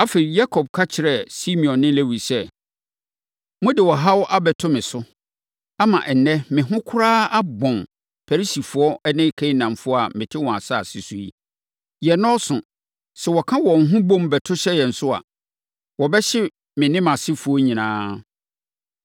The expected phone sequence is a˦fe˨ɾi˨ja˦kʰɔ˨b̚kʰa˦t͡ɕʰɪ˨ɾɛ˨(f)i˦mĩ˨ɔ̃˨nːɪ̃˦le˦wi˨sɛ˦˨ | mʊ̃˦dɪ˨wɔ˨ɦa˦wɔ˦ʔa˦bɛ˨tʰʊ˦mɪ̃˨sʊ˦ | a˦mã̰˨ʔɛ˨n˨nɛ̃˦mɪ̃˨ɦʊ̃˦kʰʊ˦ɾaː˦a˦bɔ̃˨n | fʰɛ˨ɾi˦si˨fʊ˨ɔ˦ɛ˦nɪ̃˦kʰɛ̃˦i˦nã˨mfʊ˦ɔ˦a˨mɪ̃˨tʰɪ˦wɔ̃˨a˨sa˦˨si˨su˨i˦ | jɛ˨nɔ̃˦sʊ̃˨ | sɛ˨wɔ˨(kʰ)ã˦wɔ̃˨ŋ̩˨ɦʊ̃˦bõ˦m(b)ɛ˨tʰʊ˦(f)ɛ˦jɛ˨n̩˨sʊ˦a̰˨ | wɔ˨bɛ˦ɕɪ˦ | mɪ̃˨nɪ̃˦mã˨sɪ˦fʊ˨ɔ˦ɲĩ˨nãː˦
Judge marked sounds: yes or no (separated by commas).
no, yes, yes, no